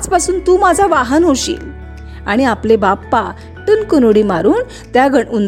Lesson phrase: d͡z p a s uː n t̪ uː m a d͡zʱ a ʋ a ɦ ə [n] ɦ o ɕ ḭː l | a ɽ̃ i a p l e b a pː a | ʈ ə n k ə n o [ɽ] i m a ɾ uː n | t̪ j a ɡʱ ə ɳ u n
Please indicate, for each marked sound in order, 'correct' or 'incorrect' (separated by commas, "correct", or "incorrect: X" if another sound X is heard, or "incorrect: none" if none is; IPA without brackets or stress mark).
correct, correct